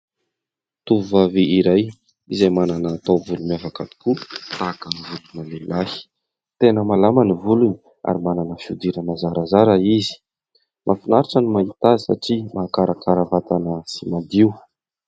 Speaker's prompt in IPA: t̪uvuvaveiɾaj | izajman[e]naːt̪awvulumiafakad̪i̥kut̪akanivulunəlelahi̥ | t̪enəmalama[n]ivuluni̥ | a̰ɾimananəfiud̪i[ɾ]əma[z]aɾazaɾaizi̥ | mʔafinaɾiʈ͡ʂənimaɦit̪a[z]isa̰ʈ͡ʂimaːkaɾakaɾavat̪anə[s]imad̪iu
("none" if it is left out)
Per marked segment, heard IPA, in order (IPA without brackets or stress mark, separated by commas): a, n, ɾ, z, z, s